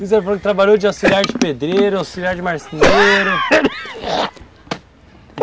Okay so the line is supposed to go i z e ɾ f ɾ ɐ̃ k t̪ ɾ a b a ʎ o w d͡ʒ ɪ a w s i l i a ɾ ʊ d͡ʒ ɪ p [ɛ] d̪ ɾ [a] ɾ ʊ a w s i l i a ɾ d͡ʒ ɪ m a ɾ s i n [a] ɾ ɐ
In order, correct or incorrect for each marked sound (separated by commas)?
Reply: incorrect, incorrect, incorrect